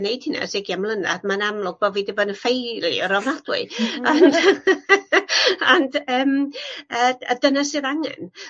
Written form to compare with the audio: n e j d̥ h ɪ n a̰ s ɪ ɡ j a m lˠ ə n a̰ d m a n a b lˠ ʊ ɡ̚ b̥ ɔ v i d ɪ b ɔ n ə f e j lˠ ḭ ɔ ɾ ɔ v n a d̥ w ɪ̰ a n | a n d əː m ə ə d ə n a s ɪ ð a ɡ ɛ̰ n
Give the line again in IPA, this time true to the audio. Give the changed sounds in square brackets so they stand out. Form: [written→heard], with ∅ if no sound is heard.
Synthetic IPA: n e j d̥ h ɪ n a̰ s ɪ ɡ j a m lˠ ə n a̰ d m a n a [b→m] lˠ ʊ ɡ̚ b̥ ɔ v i d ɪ b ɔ n ə f e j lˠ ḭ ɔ ɾ ɔ v n a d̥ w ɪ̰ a n | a n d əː m ə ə d ə n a s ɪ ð a [ɡ→ŋ] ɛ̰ n